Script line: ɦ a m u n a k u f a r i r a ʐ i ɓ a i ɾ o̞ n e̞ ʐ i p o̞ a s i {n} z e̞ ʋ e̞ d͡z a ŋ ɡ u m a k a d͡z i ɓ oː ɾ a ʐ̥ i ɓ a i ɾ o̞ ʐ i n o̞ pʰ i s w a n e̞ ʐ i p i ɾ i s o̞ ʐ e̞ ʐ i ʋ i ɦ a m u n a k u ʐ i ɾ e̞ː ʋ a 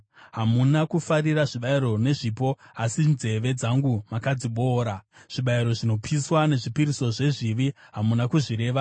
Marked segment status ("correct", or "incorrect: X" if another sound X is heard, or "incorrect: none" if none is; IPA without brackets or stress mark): correct